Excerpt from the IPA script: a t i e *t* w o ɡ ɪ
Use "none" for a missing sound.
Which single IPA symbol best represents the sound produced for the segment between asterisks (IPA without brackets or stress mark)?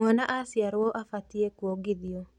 k